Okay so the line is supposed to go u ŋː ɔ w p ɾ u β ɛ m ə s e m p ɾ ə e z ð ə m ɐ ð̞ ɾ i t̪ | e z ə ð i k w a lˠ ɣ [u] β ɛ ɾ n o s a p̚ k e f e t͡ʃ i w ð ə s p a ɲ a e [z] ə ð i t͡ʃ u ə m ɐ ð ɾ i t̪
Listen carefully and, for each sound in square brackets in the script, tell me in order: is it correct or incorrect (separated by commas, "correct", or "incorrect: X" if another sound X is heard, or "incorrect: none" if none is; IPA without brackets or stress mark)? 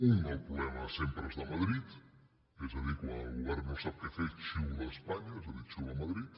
correct, correct